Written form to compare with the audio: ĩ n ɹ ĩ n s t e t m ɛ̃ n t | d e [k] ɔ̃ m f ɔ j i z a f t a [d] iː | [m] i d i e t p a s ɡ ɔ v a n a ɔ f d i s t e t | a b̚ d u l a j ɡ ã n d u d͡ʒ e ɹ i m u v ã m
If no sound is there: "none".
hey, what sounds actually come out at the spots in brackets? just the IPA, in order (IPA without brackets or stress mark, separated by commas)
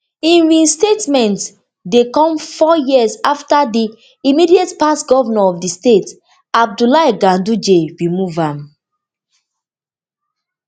k, d, m